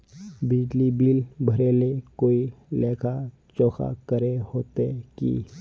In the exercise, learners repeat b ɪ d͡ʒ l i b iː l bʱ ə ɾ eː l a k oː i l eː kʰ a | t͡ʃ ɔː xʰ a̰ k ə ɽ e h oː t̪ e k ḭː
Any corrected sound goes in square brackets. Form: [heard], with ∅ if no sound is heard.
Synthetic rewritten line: b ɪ d͡ʒ l i b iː l bʱ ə ɾ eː l [e] k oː i l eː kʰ a | t͡ʃ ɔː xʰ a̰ k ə [ɾ] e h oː t̪ e k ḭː